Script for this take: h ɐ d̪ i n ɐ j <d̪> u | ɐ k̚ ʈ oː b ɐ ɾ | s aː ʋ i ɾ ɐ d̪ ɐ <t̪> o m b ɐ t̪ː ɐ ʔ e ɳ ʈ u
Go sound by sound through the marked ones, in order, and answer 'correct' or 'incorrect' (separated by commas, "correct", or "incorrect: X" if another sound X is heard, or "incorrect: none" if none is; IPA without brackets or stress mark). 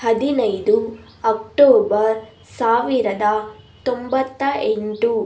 correct, correct